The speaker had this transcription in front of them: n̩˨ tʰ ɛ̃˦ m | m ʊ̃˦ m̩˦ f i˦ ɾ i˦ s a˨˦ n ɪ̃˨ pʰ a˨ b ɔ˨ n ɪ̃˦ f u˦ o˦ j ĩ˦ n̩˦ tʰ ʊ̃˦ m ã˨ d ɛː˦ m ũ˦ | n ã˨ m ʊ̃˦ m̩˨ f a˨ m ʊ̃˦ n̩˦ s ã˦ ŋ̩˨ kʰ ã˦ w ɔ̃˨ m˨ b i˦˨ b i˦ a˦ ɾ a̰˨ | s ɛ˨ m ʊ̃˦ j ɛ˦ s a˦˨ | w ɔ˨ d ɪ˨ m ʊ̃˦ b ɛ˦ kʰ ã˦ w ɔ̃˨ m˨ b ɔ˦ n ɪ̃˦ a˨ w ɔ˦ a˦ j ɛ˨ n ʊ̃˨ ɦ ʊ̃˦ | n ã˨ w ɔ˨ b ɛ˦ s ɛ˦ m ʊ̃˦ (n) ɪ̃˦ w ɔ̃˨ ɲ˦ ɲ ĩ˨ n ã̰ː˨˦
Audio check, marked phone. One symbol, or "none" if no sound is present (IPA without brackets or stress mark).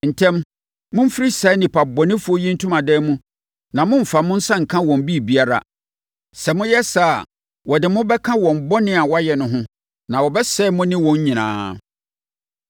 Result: n